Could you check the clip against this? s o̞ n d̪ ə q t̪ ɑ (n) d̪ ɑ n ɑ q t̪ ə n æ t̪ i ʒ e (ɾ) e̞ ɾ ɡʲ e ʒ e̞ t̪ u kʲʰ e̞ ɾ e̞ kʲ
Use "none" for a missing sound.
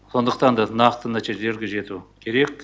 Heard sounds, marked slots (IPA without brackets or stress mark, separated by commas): n, l